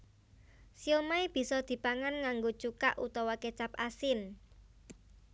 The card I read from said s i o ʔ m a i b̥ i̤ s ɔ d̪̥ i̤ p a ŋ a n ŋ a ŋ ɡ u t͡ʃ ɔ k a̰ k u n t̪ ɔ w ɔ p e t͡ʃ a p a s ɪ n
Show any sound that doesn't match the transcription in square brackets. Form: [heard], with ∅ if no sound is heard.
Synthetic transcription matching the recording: s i o [∅] m a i b̥ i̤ s ɔ d̪̥ i̤ p a ŋ a n ŋ a ŋ ɡ [o] t͡ʃ [u] k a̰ [ʔ] u [∅] t̪ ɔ w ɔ [k] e t͡ʃ a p a s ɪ n